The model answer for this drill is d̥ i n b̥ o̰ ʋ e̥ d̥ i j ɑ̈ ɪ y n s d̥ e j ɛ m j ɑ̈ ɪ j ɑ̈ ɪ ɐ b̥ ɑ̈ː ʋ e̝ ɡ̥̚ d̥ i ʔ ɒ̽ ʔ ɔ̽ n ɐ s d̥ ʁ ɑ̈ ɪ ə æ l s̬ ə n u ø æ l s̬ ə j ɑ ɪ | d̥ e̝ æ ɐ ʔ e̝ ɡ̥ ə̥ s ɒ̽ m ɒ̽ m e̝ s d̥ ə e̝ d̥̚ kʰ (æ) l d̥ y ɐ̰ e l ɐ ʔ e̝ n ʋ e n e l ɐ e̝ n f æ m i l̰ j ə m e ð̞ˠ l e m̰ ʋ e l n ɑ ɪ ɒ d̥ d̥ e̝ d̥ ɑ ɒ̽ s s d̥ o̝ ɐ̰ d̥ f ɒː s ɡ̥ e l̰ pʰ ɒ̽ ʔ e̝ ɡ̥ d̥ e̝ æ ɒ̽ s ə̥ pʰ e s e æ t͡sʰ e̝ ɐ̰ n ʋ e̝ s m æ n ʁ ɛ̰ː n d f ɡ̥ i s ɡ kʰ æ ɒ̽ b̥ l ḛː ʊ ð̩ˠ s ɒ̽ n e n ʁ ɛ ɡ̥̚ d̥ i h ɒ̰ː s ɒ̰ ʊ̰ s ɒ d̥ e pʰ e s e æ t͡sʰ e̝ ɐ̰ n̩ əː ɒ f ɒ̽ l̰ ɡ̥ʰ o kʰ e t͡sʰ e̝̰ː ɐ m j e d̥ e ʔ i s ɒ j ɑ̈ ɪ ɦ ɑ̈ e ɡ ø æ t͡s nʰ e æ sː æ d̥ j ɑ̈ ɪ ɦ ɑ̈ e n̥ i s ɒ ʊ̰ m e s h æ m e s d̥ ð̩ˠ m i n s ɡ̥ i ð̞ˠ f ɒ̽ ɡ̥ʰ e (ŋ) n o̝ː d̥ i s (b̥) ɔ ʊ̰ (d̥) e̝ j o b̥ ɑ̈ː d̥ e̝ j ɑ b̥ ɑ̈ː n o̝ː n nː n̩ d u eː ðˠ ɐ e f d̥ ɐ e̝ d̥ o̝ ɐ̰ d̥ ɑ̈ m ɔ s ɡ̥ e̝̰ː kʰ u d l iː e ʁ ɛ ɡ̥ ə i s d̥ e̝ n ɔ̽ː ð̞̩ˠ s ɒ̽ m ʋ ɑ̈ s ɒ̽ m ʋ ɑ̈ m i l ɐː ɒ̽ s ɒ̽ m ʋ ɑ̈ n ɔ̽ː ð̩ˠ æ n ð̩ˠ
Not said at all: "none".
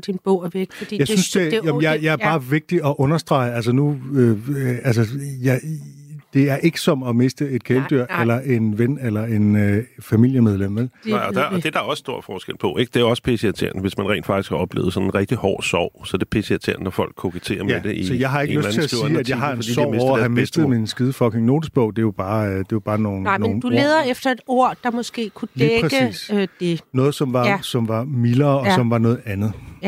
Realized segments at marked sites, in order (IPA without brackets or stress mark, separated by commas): e, ŋ, b̥, d̥